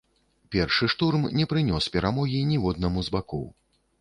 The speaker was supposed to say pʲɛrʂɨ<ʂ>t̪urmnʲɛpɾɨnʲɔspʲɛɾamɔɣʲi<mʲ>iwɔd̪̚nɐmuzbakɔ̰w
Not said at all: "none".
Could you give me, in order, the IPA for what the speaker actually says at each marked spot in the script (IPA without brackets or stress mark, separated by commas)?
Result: ʂ, nʲ